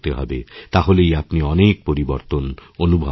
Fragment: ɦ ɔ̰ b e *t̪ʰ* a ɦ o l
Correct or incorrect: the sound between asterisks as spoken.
incorrect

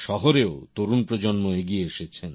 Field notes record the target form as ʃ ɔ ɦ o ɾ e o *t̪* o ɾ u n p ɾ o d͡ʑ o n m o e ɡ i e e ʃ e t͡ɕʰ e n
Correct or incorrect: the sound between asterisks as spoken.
correct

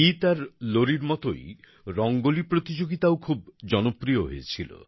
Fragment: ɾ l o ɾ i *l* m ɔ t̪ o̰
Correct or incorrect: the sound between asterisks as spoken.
incorrect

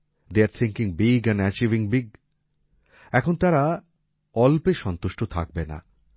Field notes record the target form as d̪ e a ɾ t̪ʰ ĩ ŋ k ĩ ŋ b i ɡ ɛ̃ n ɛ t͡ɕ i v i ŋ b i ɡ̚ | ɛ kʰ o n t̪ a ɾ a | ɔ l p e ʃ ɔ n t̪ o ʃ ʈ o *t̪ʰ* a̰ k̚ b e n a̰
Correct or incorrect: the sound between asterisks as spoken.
correct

